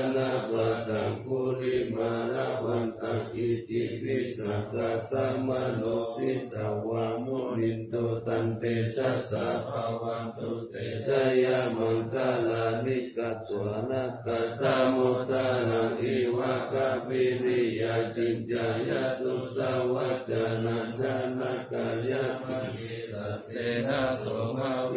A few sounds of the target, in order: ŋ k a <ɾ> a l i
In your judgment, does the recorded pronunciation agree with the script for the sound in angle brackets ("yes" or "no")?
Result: no